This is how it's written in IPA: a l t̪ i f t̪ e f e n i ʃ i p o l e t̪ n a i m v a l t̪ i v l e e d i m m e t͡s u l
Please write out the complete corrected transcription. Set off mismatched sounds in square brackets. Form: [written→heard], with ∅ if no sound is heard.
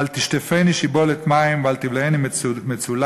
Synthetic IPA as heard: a l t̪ i [f→ʃ] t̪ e f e n i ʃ i [p→b] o l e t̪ [n→m] a i m v a l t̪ i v l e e [d→n] i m m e t͡s u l